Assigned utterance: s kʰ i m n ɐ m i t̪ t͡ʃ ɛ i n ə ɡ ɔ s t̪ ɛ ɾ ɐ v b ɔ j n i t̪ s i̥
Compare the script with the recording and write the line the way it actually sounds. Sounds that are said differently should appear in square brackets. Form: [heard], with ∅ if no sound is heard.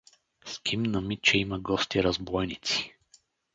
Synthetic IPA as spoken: s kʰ i m n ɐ m i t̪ t͡ʃ ɛ i [m] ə ɡ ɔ s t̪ [i] ɾ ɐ [z] b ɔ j n i t̪ s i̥